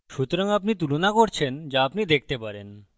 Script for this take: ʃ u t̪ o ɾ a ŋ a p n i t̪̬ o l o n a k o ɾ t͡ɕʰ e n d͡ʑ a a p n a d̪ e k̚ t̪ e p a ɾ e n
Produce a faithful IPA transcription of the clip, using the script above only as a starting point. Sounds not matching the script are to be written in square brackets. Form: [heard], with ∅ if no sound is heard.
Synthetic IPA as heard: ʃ u t̪ o ɾ a ŋ a p n i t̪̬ [u] l o n a k o ɾ t͡ɕʰ e n d͡ʑ a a p n [i] d̪ e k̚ t̪ e p a ɾ e n